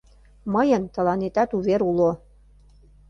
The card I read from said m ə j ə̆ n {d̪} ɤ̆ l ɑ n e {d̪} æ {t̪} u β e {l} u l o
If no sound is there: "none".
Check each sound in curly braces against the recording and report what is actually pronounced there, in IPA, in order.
t̪, t̪, t̪, ɾ

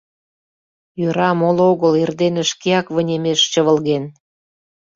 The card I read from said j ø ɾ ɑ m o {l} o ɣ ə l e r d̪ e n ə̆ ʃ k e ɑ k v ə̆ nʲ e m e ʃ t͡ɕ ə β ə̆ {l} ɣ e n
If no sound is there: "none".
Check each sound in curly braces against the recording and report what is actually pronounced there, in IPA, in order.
l, l

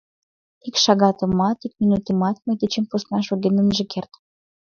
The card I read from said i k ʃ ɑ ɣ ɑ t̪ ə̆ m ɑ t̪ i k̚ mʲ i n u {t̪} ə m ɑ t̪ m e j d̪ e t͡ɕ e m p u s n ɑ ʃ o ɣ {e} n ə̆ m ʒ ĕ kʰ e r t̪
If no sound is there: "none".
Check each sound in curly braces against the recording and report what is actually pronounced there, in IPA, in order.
t̪, e

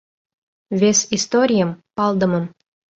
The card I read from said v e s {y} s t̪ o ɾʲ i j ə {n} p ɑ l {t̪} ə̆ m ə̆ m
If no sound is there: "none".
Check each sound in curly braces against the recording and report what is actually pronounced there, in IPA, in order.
i, m, d̪

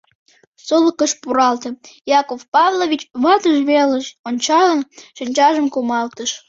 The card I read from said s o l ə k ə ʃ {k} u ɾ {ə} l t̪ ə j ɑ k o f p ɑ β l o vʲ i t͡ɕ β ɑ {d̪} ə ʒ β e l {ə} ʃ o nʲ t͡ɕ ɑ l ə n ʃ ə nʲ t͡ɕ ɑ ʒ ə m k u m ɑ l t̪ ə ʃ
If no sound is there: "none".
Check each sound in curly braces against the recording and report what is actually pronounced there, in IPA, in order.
p, ɑ, t̪, ə

